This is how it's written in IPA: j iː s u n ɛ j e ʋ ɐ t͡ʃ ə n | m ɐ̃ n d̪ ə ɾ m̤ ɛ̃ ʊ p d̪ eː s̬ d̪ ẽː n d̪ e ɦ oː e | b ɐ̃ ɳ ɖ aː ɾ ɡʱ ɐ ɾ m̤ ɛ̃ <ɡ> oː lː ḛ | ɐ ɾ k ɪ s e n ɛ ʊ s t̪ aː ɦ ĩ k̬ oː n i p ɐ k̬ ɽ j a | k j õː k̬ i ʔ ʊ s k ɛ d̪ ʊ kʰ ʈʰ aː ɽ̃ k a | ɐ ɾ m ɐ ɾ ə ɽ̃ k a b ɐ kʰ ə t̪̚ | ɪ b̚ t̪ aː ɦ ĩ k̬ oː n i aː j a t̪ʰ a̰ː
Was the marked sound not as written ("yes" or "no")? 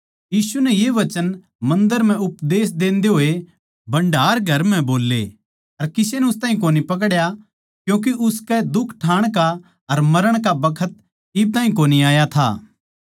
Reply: yes